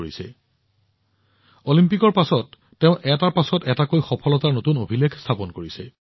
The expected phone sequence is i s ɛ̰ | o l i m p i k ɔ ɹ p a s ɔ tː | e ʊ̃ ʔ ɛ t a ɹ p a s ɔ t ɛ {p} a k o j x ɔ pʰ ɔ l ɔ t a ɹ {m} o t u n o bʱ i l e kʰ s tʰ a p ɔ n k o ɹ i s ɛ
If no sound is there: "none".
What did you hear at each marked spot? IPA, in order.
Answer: t, n

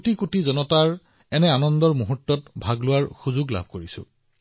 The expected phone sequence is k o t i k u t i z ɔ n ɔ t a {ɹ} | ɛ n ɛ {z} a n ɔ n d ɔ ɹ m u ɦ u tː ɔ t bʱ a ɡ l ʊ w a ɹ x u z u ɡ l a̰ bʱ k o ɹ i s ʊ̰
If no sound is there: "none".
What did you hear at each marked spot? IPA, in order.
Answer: ɹ, none

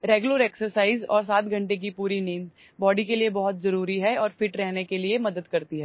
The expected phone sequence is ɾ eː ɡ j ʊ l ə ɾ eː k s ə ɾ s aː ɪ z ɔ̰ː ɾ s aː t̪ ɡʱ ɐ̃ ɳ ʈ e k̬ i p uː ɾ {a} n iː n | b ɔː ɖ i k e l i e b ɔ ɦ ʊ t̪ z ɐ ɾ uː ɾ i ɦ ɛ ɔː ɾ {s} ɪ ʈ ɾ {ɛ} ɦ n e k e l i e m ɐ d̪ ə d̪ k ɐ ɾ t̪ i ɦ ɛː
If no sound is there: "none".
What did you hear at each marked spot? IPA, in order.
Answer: i, f, ɛ

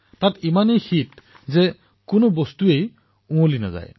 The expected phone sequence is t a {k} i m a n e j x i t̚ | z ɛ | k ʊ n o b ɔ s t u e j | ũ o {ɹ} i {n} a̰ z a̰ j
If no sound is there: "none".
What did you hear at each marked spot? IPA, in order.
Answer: t, l, n

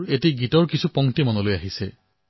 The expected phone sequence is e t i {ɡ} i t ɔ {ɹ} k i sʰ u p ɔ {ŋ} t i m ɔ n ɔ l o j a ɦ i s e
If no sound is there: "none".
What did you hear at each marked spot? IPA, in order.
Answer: ɡ, ɹ, ŋ

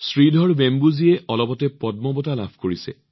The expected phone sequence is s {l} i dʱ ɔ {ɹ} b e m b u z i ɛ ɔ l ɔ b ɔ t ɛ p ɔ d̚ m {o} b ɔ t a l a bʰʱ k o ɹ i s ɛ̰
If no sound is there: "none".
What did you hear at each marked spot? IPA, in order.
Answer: ɹ, ɹ, ɔ

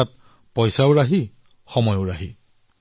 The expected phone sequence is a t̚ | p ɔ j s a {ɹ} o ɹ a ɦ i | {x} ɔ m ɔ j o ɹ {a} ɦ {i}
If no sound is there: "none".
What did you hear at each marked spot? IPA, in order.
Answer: none, x, a, i

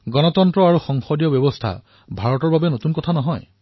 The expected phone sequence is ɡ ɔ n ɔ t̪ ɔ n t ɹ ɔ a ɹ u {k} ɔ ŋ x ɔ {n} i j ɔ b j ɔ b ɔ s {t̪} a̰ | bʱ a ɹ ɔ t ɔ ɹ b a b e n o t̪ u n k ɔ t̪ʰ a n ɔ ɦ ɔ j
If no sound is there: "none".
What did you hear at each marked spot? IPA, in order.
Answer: x, d, t̪ʰ

